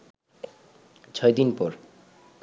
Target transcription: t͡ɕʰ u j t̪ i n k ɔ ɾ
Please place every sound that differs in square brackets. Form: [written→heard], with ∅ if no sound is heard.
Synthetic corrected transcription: t͡ɕʰ [u→ɔ] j [t̪→d̪] i n [k→p] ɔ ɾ